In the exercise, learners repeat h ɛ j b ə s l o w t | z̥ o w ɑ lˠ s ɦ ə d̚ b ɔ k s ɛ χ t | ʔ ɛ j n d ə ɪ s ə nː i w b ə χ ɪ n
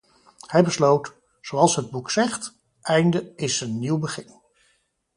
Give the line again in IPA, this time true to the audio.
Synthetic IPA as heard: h ɛ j b ə s l o w t | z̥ o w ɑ lˠ s ɦ ə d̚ b u k s ɛ χ t | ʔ ɛ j n d ə ɪ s ə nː i w b ə χ ɪ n